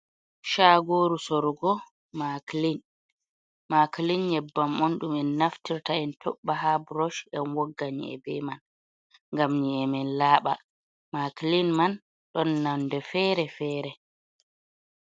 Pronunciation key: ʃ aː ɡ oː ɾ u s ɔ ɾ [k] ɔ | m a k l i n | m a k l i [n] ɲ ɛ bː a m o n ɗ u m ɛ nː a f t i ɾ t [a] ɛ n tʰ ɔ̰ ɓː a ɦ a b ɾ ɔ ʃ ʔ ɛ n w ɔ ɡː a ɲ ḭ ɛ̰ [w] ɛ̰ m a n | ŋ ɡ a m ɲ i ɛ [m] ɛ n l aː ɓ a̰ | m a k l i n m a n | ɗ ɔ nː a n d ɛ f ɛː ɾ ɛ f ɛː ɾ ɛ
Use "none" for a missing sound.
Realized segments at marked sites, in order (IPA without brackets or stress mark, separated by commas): ɡ, n, a, b, m